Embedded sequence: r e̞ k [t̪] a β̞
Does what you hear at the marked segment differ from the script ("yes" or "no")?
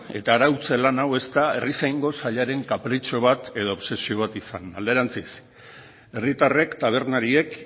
no